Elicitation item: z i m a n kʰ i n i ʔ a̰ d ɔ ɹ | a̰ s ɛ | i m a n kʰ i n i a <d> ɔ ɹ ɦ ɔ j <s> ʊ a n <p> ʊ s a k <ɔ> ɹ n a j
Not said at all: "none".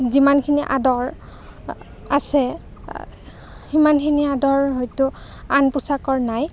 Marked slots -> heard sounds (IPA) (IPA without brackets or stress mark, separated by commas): d, t, p, ɔ